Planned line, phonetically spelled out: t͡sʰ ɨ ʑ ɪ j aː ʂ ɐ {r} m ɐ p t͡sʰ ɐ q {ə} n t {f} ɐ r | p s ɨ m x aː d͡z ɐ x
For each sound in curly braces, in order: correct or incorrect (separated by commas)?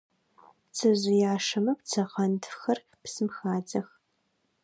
incorrect, incorrect, incorrect